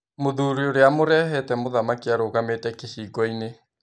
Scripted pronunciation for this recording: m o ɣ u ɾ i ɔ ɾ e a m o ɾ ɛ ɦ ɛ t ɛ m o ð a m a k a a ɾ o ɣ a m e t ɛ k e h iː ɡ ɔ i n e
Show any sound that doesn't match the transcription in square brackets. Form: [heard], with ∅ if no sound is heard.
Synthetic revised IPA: m o [ð] u ɾ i [o] ɾ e a m o ɾ ɛ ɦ ɛ t ɛ m o ð a m a k [i] a ɾ o ɣ a m e t ɛ k e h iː ɡ ɔ i n e

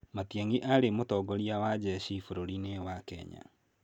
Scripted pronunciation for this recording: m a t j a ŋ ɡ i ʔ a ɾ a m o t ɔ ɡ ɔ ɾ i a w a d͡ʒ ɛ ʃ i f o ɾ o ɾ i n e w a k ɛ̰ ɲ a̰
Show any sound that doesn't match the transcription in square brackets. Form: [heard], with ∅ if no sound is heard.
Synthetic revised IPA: m a t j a ŋ ɡ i ʔ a ɾ [e] m o t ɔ ɡ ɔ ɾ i a w a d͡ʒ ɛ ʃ i f o ɾ o ɾ i n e w a k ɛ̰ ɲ a̰

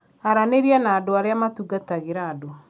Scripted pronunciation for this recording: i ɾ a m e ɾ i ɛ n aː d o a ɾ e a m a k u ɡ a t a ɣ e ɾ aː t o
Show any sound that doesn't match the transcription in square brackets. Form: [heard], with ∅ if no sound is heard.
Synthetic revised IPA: [a] ɾ a [n] e ɾ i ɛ n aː d o a ɾ e a m a [t] u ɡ a t a ɣ e ɾ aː [d] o

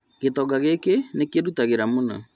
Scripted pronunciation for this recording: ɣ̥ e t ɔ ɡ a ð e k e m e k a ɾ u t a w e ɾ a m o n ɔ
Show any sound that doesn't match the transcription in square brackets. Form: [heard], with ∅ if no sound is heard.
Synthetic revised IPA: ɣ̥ e t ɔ ɡ a [ɣ] e k e [n] e k [e] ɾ u t a [ɣ] e ɾ a m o n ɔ

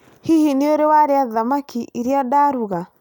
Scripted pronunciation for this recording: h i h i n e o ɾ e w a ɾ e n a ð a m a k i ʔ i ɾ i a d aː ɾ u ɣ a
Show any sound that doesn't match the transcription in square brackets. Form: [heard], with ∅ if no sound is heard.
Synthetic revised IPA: h i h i n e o ɾ e w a ɾ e [∅] a ð a m a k i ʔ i ɾ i a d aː ɾ u ɣ a

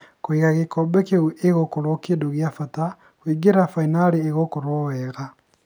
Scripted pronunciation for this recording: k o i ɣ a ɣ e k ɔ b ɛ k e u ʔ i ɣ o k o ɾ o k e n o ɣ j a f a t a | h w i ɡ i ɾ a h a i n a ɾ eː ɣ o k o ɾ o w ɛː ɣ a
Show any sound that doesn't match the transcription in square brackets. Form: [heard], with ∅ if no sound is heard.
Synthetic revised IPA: k o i ɣ a ɣ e k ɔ b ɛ k e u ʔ [e] ɣ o k o ɾ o k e [d] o ɣ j a f a t a | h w i ɡ [e] ɾ a [f] a i n a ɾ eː ɣ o k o ɾ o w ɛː ɣ a

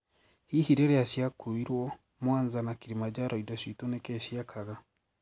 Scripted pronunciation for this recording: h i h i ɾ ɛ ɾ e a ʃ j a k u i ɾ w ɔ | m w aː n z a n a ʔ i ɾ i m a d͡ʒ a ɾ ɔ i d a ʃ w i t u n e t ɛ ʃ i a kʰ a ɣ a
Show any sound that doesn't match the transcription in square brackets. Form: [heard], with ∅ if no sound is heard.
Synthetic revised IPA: h i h i ɾ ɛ ɾ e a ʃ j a k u i ɾ w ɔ | m w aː n z a n a [k] i ɾ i m a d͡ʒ a ɾ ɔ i d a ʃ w i t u n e [k] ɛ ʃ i a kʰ a ɣ a

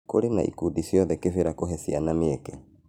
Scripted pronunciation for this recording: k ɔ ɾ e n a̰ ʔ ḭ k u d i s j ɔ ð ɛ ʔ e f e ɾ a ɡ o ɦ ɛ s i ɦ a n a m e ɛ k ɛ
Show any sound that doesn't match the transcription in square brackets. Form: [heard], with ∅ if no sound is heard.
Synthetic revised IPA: k [o] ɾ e n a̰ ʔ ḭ k u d i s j ɔ ð ɛ [k] e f e ɾ a [k] o ɦ ɛ s i [∅] a n a m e ɛ k ɛ

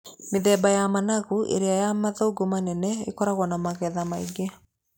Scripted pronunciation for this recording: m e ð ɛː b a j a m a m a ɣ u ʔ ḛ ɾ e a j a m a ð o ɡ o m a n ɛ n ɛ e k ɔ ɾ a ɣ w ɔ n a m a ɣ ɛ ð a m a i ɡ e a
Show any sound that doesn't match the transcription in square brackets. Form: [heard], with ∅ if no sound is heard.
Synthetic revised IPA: m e ð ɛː b a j a m a [n] a ɣ u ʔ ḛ ɾ e a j a m a ð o ɡ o m a n ɛ n ɛ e k ɔ ɾ a ɣ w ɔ n a m a ɣ ɛ ð a m a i ɡ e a

